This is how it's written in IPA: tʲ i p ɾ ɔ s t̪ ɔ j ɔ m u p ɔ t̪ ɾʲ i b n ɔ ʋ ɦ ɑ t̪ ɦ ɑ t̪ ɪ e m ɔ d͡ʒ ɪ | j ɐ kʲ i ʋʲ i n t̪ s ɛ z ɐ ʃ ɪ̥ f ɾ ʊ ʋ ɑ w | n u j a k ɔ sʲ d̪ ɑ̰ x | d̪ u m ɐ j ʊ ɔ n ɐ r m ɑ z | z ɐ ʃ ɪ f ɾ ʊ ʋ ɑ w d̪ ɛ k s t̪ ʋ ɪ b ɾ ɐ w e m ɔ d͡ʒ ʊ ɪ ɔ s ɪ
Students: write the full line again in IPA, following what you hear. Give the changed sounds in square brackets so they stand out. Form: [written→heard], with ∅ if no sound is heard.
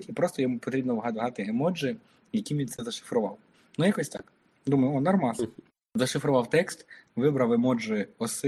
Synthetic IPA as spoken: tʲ i p ɾ ɔ s t̪ ɔ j ɔ m u p ɔ t̪ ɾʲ i b n ɔ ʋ ɦ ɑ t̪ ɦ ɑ t̪ ɪ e m ɔ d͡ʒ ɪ | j ɐ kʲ i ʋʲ i n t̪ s ɛ z ɐ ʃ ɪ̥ f ɾ ʊ ʋ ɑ w | n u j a k ɔ sʲ [d̪→t̪] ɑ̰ [x→k] | d̪ u m ɐ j ʊ ɔ n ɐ r m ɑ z | z ɐ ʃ ɪ f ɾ ʊ ʋ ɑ w [d̪→t̪] ɛ k s t̪ ʋ ɪ b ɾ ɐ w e m ɔ d͡ʒ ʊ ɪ ɔ s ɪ